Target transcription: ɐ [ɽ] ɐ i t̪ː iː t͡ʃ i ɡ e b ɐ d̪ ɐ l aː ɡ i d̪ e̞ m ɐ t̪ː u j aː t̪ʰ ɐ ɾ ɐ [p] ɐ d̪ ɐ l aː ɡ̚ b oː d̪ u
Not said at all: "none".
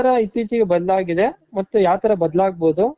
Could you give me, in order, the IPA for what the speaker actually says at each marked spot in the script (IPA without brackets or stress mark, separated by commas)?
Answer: ɾ, b